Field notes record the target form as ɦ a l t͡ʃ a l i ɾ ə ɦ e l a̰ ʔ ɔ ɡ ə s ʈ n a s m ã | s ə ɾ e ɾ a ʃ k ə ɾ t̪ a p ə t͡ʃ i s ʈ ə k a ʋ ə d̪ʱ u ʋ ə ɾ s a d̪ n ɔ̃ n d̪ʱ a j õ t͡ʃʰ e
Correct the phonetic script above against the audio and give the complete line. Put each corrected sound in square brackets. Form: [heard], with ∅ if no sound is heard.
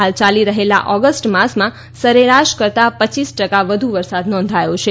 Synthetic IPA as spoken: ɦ a l t͡ʃ a l i ɾ ə ɦ e l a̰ ʔ ɔ ɡ ə s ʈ [m] a s m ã | s ə ɾ e ɾ a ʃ k ə ɾ t̪ a p ə t͡ʃ i s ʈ ə k a ʋ ə d̪ʱ u ʋ ə ɾ s a d̪ n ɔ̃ n d̪ʱ a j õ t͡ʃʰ e